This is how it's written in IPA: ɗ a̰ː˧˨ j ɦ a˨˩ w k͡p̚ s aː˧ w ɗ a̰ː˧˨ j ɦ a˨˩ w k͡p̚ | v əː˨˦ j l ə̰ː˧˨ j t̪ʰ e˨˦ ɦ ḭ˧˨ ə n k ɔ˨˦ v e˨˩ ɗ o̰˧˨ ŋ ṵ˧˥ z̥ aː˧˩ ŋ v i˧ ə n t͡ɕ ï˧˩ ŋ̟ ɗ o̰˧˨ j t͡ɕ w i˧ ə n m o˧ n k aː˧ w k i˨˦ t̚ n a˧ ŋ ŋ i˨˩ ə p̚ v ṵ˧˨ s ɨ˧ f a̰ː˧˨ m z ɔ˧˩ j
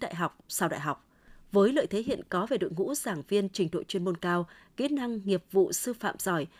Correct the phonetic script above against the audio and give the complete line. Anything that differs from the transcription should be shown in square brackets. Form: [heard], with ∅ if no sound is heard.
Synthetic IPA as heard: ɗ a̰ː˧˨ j ɦ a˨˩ w k͡p̚ s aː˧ w ɗ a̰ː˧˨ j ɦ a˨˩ w k͡p̚ | v əː˨˦ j l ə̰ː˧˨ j t̪ʰ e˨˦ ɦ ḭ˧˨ ə n k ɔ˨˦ v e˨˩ ɗ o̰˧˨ ŋ ṵ˧˥ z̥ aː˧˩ ŋ v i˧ ə n t͡ɕ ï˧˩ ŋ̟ ɗ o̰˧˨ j t͡ɕ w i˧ ə n m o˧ n k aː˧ w k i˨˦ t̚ n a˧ ŋ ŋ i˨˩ ə p̚ v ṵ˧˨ s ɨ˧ f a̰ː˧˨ m z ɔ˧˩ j